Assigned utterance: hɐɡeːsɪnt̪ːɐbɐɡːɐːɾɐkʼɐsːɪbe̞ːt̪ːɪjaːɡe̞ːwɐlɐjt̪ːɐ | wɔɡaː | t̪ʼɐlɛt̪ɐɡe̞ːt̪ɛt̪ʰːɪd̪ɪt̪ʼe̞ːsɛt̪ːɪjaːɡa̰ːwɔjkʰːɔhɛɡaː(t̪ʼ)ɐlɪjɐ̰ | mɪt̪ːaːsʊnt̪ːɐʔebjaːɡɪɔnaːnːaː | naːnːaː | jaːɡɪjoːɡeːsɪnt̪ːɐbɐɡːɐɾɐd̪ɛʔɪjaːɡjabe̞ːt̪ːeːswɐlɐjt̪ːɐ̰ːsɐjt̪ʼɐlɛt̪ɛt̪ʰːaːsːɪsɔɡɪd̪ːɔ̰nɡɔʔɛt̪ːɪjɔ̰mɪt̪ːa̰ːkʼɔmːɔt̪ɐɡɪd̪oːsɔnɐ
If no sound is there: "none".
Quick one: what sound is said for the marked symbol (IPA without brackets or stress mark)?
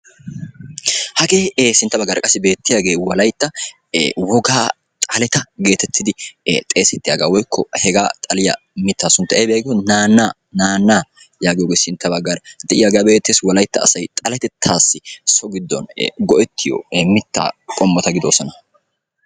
t̪ʼ